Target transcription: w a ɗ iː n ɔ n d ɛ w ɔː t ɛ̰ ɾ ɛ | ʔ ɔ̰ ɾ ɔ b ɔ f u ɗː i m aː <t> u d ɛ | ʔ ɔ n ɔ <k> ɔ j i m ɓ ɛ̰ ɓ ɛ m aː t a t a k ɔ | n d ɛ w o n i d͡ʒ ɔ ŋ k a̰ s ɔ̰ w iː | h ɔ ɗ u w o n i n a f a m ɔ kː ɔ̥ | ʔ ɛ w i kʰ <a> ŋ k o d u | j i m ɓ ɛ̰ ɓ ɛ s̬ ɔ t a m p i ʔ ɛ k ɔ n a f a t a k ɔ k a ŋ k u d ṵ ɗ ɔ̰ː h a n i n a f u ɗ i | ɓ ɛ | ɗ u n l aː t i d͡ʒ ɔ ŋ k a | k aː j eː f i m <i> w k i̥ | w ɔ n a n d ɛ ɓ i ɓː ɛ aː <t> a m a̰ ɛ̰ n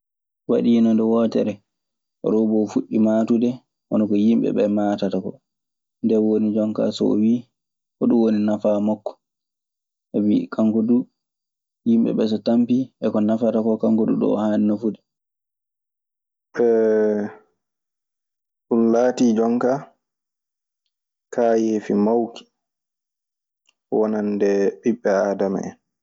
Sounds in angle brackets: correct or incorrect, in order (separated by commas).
correct, correct, correct, incorrect, incorrect